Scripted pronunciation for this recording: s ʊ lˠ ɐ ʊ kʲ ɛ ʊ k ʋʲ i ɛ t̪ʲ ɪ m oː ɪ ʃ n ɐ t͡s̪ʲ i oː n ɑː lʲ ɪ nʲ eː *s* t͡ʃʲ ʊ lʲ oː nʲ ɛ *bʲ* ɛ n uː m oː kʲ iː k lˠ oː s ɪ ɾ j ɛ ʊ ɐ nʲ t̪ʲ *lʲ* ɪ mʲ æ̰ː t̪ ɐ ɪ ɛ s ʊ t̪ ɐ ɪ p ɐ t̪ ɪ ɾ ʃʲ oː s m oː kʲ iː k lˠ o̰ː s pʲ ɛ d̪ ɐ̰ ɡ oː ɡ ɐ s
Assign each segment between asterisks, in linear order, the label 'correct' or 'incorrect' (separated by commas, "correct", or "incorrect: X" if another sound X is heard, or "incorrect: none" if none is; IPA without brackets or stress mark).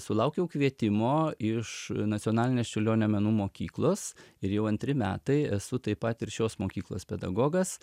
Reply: correct, incorrect: mʲ, incorrect: ɾʲ